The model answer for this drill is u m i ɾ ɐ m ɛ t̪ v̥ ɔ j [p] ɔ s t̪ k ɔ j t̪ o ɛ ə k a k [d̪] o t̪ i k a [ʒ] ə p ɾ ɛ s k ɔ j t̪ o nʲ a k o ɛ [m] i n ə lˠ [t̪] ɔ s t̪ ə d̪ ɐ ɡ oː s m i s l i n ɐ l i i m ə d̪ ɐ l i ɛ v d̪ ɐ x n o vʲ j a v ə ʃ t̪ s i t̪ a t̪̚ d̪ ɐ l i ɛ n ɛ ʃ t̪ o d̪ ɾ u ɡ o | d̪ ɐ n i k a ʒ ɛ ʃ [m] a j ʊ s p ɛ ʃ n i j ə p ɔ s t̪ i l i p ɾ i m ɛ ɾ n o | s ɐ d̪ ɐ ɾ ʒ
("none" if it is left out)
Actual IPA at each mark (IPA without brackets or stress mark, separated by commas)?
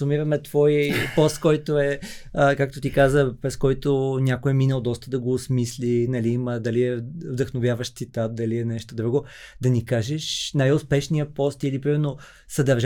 p, t̪, z, m, d̪, n